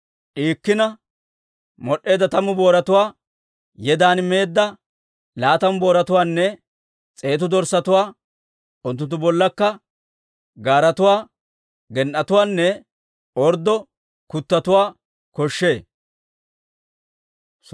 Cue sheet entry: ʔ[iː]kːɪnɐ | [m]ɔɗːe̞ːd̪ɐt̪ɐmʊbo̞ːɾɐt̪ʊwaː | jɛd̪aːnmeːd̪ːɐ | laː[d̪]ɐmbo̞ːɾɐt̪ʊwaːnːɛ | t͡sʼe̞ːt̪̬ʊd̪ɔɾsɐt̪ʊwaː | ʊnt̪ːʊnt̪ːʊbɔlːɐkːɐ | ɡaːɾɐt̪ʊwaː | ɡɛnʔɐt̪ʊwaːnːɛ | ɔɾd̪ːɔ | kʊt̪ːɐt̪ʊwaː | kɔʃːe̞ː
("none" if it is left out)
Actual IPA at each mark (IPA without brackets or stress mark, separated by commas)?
iː, m, t̪